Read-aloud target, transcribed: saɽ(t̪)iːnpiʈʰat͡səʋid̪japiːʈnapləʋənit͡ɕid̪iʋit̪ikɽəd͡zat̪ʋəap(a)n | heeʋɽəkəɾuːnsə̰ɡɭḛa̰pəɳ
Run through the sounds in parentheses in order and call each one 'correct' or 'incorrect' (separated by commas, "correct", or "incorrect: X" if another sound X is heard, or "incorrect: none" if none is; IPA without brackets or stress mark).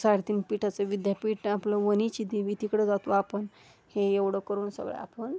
correct, incorrect: ə